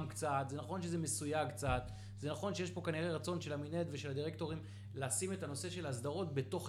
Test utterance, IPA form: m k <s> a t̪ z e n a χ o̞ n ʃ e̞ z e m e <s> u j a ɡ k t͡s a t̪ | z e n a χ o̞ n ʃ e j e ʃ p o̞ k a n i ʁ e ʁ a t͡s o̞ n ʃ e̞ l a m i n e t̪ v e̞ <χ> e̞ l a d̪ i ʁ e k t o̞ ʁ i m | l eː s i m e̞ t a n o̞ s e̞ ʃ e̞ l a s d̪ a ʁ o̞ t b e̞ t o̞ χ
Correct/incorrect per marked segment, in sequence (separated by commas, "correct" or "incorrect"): incorrect, correct, incorrect